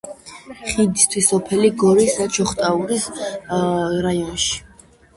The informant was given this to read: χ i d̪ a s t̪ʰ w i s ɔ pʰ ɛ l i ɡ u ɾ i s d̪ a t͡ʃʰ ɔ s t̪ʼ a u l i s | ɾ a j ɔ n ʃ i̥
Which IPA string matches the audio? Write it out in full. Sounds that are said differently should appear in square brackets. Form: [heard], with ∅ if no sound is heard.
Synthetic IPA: χ i d̪ [i] s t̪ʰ w i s ɔ pʰ ɛ l i ɡ [ɔ] ɾ i s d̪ a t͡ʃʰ ɔ [χ] t̪ʼ a u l i s | ɾ a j ɔ n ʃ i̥